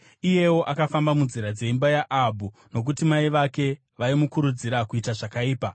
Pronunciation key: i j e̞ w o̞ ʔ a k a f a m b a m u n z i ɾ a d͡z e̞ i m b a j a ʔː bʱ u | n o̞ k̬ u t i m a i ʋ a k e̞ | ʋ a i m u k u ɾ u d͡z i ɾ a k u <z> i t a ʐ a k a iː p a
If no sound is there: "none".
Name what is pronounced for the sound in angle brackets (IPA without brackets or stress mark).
none